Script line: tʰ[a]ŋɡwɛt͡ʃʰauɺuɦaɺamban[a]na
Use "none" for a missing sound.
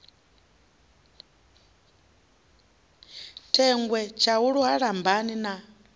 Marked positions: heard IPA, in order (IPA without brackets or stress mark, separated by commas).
ɛ, i